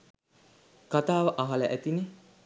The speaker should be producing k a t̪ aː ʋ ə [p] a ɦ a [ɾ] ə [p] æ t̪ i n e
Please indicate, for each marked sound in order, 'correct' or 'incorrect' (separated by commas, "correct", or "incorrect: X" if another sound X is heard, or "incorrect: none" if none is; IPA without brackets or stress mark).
incorrect: ʔ, incorrect: l, incorrect: ʔ